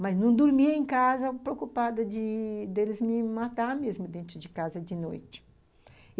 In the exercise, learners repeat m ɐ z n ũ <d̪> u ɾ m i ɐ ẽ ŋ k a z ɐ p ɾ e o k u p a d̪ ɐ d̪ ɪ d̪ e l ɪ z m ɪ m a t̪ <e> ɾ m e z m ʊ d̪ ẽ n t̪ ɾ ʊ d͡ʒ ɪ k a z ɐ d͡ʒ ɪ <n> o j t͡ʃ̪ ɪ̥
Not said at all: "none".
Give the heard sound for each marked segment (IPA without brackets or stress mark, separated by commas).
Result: d̪, a, n